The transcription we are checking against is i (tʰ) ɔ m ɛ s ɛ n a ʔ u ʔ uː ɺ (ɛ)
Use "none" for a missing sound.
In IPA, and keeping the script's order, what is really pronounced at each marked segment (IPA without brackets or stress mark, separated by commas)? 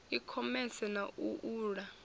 kʰ, a